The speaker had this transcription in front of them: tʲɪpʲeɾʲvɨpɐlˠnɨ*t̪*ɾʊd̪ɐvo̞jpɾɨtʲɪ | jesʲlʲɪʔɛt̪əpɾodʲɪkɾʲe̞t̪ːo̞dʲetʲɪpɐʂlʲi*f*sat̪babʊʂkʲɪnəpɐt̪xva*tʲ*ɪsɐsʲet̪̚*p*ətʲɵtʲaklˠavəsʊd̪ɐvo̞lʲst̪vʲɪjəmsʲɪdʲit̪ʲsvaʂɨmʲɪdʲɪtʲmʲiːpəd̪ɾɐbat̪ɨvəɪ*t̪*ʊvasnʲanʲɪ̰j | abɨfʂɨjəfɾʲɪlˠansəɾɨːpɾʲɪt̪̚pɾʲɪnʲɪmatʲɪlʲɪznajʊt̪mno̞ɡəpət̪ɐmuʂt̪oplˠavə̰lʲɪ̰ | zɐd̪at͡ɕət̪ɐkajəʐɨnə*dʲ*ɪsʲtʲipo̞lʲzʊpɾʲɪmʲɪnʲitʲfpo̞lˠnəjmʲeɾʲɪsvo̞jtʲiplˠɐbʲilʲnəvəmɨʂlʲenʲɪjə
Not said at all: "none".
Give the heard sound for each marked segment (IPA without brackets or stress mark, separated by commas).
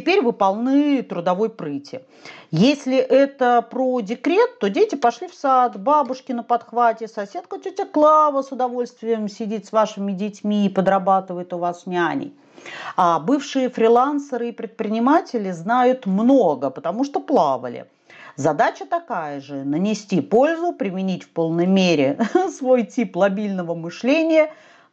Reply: t̪, f, tʲ, k, t̪, nʲ